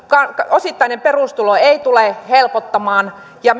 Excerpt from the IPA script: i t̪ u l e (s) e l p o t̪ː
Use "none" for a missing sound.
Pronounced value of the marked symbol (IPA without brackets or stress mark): h